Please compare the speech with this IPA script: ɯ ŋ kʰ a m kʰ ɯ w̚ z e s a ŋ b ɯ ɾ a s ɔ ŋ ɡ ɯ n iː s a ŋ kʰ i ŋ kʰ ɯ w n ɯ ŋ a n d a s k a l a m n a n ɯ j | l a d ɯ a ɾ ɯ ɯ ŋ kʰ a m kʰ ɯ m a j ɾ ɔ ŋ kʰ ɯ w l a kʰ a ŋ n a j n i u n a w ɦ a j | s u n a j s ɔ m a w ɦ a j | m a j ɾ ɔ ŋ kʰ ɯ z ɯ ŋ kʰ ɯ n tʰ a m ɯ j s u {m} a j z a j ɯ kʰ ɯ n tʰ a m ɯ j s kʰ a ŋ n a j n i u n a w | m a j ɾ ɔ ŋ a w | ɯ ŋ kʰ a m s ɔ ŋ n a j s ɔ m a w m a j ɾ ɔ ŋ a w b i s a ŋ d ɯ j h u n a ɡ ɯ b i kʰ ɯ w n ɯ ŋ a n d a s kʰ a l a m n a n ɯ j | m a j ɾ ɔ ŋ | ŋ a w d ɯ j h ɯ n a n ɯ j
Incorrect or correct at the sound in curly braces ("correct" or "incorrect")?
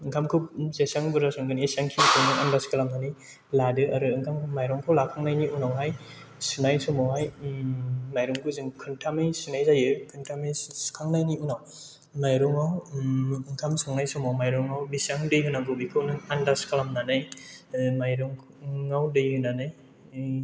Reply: incorrect